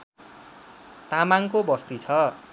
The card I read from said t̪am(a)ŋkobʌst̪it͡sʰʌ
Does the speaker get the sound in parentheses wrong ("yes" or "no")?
no